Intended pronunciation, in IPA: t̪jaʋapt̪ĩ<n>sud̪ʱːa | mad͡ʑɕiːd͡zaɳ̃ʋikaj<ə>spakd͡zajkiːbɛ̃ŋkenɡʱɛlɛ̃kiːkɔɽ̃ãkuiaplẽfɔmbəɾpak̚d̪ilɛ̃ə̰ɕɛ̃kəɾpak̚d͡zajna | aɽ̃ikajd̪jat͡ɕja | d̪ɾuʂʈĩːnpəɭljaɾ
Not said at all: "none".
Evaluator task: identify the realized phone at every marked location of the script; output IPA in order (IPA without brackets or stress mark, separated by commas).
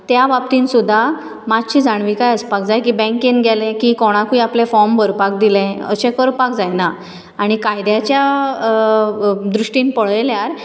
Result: n, ə